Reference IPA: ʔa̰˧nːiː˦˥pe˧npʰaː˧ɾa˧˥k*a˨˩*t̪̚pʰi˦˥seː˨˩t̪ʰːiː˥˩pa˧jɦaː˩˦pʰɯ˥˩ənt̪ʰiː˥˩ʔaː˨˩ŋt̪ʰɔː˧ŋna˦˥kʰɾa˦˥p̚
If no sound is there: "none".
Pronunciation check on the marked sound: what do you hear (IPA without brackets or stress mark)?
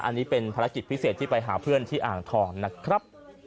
i˨˩